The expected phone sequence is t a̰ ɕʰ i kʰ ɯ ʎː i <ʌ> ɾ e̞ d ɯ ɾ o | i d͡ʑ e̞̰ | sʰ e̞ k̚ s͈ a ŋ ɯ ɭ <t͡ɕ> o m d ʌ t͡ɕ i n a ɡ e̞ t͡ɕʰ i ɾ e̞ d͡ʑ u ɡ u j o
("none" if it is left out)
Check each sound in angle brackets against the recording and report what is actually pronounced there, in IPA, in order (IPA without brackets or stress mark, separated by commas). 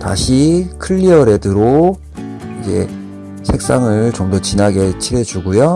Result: ʌ, t͡ɕ